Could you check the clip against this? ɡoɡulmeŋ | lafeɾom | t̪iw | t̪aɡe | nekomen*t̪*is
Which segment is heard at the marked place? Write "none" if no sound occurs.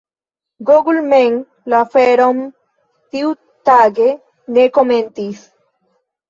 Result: t̪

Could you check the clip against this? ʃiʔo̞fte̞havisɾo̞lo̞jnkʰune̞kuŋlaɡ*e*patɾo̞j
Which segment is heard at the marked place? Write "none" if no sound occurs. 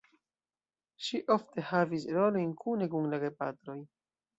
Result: e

